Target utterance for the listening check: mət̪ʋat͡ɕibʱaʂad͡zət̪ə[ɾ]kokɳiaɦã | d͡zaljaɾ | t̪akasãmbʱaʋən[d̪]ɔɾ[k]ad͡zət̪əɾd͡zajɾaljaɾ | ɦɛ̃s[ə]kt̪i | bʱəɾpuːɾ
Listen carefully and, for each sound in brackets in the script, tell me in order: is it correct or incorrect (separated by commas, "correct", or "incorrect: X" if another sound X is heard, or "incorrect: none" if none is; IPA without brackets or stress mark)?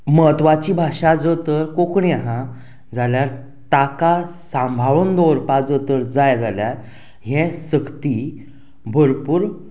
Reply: correct, correct, incorrect: p, correct